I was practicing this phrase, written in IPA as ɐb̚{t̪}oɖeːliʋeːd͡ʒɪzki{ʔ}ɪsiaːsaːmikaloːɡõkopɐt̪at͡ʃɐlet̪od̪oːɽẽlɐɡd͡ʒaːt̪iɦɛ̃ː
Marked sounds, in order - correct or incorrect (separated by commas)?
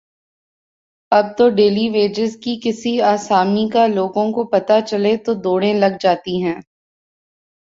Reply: correct, incorrect